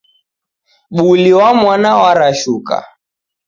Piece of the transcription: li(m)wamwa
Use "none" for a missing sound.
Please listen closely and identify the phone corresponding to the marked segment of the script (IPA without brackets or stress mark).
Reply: none